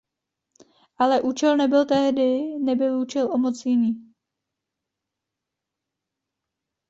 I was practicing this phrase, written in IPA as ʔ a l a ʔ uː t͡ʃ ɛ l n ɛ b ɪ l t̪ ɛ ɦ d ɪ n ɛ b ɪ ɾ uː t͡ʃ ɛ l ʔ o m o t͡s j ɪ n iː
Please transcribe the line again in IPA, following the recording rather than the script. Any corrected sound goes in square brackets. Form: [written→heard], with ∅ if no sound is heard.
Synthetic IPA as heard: ʔ a l [a→ɛ] ʔ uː t͡ʃ ɛ l n ɛ b ɪ l t̪ ɛ ɦ d ɪ n ɛ b ɪ [ɾ→l] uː t͡ʃ ɛ l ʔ o m o t͡s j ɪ n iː